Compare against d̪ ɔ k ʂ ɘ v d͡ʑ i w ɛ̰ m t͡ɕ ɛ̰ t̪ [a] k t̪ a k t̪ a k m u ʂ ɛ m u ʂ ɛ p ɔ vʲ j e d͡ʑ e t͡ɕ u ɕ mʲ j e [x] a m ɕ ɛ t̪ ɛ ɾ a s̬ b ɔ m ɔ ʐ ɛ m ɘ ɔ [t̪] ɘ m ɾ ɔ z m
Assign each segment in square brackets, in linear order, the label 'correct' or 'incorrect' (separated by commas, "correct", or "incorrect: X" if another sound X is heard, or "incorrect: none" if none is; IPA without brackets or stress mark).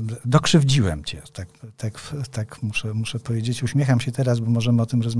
correct, correct, correct